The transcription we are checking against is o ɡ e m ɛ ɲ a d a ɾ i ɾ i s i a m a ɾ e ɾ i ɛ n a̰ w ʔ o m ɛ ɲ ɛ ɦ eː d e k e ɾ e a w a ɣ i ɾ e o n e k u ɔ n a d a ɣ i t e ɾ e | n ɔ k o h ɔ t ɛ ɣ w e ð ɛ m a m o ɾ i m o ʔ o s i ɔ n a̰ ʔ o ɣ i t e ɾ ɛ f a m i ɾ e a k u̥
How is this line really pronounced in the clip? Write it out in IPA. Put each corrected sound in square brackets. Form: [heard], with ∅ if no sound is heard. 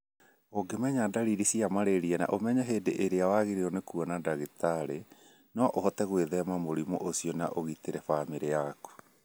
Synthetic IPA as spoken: o ɡ e m ɛ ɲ a d a ɾ i ɾ i s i a m a ɾ e ɾ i ɛ n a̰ [∅] ʔ o m ɛ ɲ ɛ ɦ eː d e [ʔ] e ɾ e a w a ɣ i ɾ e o n e k u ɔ n a d a ɣ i t [a] ɾ e | n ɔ [ʔ] o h ɔ t ɛ ɣ w e ð ɛ m a m o ɾ i m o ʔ o s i ɔ n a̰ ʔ o ɣ i t e ɾ ɛ f a m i ɾ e a k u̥